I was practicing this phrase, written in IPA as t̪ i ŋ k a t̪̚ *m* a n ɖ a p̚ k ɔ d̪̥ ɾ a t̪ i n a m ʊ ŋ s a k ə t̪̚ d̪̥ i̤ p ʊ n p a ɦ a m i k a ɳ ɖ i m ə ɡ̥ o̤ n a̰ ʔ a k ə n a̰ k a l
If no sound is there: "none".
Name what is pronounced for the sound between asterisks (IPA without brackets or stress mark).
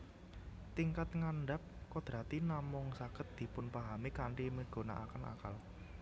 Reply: ŋ